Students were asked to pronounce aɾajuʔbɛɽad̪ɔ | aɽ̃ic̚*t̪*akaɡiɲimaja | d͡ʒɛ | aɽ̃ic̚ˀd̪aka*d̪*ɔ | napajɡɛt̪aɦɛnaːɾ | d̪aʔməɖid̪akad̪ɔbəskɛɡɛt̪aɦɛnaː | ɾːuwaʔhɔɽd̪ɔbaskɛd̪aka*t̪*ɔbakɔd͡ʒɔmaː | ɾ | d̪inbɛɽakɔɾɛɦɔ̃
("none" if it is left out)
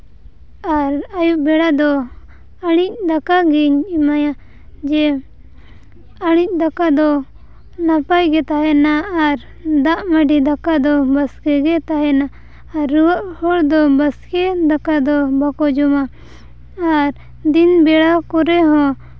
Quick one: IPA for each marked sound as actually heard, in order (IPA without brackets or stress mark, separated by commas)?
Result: d̪, d̪, d̪